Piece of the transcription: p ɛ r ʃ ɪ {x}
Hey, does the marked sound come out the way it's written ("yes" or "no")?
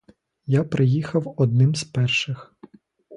yes